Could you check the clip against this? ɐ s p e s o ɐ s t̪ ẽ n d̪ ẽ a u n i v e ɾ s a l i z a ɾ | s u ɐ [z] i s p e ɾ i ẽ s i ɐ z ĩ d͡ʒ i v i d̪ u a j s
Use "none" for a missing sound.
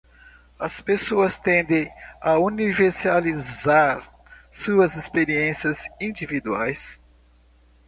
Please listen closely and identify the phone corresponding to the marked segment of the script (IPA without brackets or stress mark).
z